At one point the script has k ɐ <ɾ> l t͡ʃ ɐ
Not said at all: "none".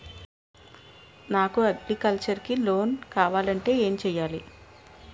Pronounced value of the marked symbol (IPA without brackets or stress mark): none